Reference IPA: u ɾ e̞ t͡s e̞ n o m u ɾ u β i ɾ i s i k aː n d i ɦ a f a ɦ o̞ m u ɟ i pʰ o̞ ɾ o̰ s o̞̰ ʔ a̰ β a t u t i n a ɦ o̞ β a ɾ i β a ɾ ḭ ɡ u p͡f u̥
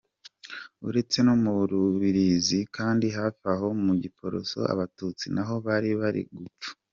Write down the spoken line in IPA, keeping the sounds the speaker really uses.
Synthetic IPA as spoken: u ɾ e̞ t͡s e̞ n o m u ɾ u β i ɾ i z i k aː n d i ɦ a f a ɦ o̞ m u ɟ i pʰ o̞ ɾ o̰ s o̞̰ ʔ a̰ β a t u t͡s i n a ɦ o̞ β a ɾ i β a ɾ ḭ ɡ u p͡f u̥